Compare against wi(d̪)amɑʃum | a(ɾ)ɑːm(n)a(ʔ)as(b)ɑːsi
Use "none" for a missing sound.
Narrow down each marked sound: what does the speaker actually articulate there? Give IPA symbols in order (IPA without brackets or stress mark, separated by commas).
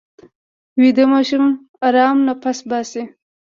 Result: d̪, ɾ, n, p, b